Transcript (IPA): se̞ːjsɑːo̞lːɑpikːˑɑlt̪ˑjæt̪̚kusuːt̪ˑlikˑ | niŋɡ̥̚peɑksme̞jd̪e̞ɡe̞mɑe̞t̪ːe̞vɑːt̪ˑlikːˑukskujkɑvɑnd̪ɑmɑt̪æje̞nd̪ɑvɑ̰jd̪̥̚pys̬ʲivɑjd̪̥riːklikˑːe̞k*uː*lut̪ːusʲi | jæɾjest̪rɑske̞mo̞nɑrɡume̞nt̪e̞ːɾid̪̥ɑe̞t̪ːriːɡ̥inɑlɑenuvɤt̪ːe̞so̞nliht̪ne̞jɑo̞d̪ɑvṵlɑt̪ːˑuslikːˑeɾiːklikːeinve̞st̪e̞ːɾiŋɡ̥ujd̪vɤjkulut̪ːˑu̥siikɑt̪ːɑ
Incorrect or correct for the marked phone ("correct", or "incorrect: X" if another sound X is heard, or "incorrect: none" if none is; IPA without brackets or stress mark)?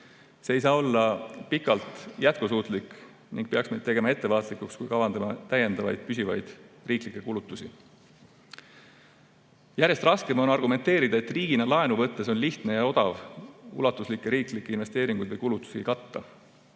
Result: incorrect: u